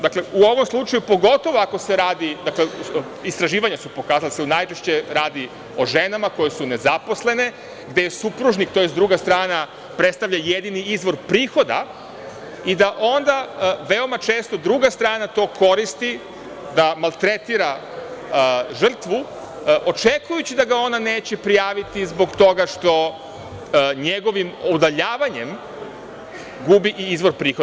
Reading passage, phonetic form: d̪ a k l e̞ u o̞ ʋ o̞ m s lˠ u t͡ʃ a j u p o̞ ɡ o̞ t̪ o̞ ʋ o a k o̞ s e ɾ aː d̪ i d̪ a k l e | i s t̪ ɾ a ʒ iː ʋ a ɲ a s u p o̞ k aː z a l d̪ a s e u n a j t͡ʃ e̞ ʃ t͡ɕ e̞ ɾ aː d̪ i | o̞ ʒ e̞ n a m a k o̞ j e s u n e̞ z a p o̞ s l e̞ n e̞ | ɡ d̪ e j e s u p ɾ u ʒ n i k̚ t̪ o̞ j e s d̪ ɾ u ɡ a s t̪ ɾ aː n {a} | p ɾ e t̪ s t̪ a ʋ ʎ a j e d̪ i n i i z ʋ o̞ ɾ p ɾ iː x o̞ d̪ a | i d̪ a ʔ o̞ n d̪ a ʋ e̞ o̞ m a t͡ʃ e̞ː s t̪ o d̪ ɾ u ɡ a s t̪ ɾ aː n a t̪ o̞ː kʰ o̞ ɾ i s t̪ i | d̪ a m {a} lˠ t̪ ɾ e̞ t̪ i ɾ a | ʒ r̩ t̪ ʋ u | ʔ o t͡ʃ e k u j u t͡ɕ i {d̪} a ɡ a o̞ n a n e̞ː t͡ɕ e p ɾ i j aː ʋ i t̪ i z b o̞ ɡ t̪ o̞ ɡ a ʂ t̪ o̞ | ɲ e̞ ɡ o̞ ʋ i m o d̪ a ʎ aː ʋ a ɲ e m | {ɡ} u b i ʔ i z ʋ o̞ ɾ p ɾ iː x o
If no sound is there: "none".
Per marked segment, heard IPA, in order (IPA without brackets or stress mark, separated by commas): a, a, d̪, ɡ